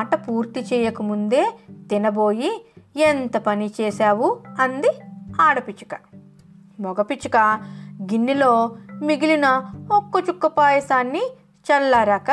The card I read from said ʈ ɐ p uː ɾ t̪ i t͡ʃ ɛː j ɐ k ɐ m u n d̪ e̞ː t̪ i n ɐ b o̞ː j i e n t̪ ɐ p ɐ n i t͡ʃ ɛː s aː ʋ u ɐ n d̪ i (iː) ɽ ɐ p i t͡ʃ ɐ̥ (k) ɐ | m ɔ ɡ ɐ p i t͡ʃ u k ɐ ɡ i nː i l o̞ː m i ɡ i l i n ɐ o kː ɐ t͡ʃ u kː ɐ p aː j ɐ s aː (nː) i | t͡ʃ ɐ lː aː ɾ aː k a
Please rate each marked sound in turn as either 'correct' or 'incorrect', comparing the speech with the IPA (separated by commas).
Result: incorrect, correct, correct